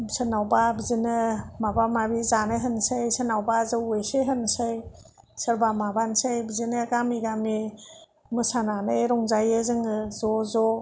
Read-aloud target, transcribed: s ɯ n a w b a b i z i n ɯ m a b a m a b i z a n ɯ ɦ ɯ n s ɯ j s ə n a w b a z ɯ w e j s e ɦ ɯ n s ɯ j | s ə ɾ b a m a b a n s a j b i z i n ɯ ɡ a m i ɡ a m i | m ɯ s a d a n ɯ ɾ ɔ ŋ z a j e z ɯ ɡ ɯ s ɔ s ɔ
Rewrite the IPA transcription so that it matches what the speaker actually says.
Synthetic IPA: s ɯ n a w b a b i z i n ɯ m a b a m a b i z a n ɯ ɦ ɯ n s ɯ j s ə n a w b a z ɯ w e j s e ɦ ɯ n s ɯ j | s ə ɾ b a m a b a n s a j b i z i n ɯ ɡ a m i ɡ a m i | m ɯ s a n a n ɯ ɾ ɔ ŋ z a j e z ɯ ŋ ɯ z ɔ z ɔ